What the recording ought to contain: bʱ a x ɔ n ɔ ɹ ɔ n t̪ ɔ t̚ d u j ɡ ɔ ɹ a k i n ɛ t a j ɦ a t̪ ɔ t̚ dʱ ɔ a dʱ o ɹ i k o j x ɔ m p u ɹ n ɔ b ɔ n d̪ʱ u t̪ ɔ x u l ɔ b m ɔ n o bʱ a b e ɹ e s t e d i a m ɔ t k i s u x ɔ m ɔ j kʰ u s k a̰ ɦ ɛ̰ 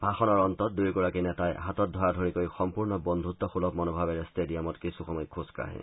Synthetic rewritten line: bʱ a x ɔ n ɔ ɹ ɔ n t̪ ɔ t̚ d u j ɡ ɔ ɹ a k i n ɛ t a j ɦ a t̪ ɔ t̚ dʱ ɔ a dʱ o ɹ i k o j x ɔ m p u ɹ n ɔ b ɔ n d̪ʱ u t̪ ɔ x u l ɔ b m ɔ n o bʱ a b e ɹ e s t e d i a m ɔ t k i s u x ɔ m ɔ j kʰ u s k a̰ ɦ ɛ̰